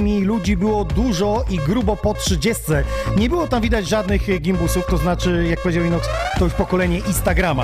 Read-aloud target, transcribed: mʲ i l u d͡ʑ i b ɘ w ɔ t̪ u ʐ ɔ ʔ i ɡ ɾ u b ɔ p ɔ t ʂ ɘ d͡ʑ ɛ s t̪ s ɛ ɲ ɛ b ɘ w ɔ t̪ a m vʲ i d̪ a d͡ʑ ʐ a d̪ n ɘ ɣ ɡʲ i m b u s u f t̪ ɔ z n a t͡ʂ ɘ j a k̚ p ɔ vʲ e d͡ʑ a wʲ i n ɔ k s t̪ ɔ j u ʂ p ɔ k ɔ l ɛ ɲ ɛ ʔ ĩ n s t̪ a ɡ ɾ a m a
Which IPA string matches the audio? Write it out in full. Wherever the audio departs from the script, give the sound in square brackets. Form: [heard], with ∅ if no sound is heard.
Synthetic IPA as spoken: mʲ i l u d͡ʑ i b ɘ w ɔ [d̪] u ʐ ɔ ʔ i ɡ ɾ u b ɔ p ɔ t ʂ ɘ d͡ʑ ɛ s t̪ s ɛ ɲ ɛ b ɘ w ɔ t̪ a m vʲ i d̪ a d͡ʑ ʐ a d̪ n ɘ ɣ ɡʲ i m b u s u f t̪ ɔ z n a t͡ʂ ɘ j a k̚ p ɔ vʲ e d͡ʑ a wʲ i n ɔ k s t̪ ɔ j u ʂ p ɔ k ɔ l ɛ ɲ ɛ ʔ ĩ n s t̪ a ɡ ɾ a m a